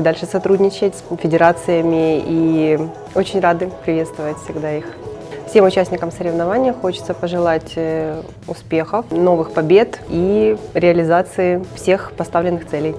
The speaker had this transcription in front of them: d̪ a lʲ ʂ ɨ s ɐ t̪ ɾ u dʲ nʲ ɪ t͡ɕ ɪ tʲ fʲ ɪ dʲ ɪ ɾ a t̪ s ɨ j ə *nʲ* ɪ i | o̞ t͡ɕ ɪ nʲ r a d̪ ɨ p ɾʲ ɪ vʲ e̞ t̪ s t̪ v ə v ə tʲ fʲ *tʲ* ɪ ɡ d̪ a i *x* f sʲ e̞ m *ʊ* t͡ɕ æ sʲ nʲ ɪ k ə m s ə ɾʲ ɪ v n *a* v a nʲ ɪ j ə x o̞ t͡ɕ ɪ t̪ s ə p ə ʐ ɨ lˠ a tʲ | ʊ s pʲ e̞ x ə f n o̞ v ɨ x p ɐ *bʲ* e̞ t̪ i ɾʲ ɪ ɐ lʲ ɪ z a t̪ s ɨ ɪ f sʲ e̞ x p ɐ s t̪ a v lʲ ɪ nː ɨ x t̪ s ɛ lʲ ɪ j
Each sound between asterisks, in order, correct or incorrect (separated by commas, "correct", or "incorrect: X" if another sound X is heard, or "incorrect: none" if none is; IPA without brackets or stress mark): incorrect: mʲ, incorrect: sʲ, correct, correct, incorrect: ɐ, correct